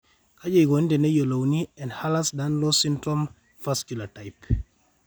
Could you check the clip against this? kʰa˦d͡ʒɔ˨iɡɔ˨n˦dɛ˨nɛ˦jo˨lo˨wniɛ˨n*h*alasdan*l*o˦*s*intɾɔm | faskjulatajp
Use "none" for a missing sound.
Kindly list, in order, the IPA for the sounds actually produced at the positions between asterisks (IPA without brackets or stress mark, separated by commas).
h, l, s